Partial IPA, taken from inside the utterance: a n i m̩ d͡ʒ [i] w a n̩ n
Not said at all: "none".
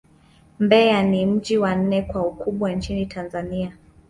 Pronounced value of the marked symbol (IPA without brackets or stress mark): i